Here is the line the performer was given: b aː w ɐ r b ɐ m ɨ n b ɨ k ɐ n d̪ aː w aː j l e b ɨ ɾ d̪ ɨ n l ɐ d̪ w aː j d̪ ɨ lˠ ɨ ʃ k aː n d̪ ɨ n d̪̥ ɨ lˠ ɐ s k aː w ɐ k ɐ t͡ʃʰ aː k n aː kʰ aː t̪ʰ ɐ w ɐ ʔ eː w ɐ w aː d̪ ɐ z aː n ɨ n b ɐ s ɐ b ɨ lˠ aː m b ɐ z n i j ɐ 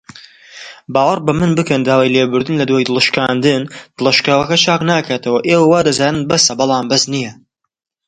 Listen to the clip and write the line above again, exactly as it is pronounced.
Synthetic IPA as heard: b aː w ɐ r b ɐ m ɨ n b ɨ k ɐ n d̪ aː w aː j l e b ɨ ɾ d̪ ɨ n l ɐ d̪ w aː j d̪ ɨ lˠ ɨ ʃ k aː n d̪ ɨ n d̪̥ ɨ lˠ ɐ ʃ k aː w ɐ k ɐ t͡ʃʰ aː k n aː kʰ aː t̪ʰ ɐ w ɐ ʔ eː w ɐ w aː d̪ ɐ z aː n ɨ n b ɐ s ɐ b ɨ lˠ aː m b ɐ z n i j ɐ